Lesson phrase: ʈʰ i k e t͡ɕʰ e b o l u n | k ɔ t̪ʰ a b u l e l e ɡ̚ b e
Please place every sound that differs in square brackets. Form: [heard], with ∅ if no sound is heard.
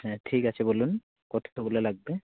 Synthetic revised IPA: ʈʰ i k [a] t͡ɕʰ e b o l u n | k ɔ t̪ʰ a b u l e l [a] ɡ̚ b e